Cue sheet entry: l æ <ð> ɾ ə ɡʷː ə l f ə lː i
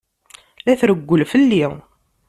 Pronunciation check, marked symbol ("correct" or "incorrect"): incorrect